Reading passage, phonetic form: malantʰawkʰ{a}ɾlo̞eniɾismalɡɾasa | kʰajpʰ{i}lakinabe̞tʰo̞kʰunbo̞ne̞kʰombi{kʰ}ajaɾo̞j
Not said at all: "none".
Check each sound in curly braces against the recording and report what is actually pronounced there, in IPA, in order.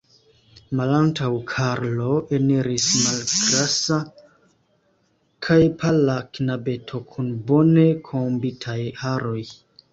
a, a, tʰ

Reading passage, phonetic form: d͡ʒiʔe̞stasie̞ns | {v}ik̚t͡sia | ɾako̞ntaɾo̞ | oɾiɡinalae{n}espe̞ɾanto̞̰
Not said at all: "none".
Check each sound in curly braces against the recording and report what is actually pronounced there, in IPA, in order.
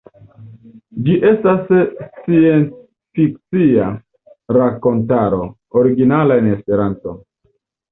f, n

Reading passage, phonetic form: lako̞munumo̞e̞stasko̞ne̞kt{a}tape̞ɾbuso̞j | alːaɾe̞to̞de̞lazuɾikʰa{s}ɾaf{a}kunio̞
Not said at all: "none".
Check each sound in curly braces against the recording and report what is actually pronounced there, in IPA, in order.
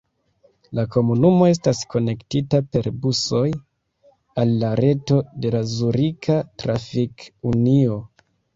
i, t, i

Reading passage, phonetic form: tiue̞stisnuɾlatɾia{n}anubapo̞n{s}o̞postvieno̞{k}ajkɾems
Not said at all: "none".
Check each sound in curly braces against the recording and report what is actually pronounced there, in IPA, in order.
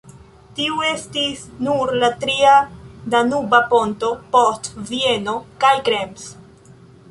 d, t, k

